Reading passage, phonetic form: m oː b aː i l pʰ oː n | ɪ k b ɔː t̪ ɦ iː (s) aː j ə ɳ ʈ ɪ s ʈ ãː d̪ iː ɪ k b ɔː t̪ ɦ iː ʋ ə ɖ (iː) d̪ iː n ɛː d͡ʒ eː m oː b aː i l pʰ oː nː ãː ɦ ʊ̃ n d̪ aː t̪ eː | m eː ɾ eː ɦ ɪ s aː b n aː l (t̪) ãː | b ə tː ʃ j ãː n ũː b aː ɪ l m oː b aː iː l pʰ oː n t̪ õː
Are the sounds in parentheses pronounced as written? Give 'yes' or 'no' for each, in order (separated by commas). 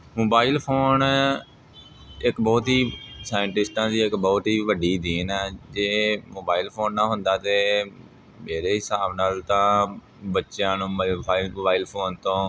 yes, yes, yes